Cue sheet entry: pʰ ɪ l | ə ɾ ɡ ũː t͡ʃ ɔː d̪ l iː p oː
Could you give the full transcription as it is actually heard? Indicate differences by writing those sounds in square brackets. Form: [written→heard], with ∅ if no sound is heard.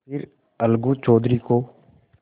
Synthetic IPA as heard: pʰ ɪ [l→ɾ] | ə [ɾ→l] ɡ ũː t͡ʃ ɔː d̪ [l→ɾ] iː [p→k] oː